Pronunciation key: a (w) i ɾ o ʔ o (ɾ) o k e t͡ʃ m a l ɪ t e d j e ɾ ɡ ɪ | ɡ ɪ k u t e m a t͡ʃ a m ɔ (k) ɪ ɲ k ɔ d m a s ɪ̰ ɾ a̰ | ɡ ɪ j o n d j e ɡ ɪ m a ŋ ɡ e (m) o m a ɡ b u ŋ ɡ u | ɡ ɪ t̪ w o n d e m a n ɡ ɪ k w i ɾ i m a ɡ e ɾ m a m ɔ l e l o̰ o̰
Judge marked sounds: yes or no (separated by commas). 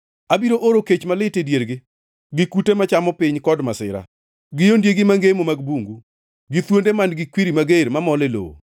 no, yes, no, yes